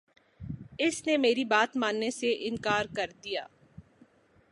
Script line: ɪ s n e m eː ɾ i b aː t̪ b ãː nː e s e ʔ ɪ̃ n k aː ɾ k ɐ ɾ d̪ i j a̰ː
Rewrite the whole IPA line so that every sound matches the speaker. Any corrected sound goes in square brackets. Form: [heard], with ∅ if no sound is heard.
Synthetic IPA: ɪ s n e m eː ɾ i b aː t̪ [m] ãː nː e s e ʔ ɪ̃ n k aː ɾ k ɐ ɾ d̪ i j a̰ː